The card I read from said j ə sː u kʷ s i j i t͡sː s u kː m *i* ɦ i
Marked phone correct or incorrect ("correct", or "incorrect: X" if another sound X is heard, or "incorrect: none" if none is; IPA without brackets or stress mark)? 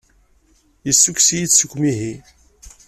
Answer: correct